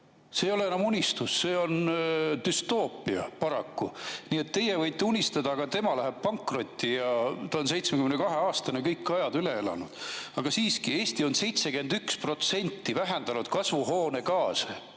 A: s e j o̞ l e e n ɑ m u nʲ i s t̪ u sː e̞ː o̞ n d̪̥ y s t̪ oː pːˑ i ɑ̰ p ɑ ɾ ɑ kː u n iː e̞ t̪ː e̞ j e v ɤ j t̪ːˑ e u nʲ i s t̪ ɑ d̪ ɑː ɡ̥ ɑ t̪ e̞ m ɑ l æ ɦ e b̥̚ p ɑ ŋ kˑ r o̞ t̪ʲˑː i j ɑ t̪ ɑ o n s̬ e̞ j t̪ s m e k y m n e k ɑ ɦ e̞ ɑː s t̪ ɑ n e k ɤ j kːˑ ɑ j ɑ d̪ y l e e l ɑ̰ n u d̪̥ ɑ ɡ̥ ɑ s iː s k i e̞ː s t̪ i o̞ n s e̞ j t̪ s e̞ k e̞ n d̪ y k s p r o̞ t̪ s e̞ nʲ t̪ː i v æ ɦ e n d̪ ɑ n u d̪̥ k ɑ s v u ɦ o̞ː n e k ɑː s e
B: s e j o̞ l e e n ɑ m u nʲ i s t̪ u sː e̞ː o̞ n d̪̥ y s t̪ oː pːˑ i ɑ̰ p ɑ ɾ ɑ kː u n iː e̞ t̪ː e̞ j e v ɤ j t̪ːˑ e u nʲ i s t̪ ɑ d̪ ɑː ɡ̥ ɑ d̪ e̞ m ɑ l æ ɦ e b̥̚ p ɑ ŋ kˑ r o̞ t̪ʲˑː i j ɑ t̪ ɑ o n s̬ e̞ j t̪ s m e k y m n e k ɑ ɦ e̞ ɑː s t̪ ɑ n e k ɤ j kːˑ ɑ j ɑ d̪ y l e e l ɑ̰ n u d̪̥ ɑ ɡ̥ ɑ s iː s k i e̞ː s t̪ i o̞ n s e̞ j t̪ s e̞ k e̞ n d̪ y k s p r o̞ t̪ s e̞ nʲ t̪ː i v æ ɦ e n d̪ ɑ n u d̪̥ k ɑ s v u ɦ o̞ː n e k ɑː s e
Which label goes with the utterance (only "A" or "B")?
A